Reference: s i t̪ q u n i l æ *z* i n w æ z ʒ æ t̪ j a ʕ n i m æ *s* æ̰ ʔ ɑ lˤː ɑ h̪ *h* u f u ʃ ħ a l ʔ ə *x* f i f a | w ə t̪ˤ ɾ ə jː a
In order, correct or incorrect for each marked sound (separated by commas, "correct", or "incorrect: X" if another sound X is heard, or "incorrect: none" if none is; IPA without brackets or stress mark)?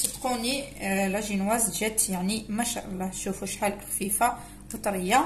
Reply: incorrect: ʒ, incorrect: ʃ, incorrect: ʃ, correct